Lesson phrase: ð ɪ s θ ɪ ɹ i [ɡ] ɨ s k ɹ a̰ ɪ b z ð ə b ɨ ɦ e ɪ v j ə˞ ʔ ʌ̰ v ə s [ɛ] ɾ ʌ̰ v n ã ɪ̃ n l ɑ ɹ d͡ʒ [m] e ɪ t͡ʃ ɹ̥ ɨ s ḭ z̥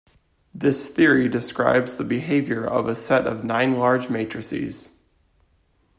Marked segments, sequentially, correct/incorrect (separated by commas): incorrect, correct, correct